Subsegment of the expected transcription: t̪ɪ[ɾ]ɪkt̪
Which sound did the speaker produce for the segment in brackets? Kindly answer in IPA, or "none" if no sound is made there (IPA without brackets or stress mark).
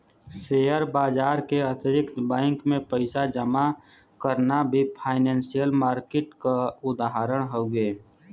ɾ